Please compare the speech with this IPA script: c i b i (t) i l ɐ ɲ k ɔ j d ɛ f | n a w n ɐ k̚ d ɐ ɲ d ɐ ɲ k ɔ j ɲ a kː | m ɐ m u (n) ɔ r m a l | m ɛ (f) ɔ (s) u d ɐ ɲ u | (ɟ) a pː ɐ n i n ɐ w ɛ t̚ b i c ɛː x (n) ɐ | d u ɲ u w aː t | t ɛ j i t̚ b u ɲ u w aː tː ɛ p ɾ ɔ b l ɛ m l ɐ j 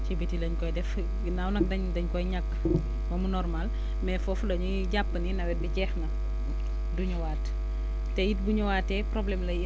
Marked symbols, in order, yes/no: yes, yes, yes, no, yes, yes

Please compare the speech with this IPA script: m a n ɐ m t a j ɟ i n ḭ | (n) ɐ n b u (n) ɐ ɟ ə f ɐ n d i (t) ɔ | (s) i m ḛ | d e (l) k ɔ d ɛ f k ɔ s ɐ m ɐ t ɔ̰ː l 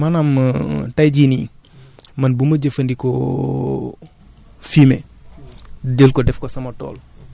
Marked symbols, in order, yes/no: no, no, no, no, yes

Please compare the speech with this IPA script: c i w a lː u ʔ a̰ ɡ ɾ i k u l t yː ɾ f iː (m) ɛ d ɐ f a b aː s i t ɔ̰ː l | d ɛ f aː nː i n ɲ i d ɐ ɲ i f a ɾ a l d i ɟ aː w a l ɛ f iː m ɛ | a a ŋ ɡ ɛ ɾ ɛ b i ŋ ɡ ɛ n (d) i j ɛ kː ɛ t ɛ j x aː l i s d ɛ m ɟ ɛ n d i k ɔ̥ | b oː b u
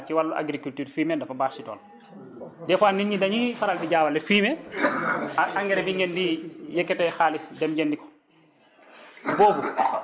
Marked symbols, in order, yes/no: yes, yes

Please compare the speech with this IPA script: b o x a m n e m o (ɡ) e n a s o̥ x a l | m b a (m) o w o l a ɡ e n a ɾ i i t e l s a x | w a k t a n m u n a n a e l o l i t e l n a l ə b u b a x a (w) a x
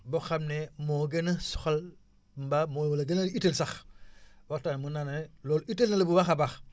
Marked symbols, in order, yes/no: yes, yes, no

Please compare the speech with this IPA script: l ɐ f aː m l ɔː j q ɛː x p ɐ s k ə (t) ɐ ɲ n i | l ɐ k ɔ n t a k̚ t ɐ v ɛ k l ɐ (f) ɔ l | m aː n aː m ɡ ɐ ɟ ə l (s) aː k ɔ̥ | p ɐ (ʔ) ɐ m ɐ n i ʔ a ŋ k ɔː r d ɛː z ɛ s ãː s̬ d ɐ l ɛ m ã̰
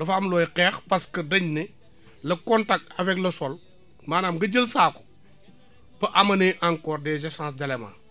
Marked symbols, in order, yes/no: no, no, yes, yes

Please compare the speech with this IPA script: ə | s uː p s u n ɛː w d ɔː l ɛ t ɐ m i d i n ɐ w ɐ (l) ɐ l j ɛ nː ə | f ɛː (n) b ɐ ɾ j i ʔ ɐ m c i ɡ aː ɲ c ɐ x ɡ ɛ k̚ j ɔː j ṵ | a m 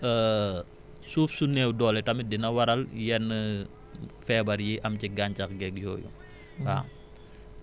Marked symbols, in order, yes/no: no, no

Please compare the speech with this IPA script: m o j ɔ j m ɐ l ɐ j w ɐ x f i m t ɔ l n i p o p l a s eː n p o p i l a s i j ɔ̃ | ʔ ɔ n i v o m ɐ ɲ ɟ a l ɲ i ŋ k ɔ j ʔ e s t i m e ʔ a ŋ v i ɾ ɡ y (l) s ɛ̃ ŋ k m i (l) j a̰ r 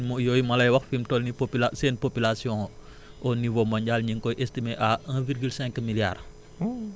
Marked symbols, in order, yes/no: yes, yes

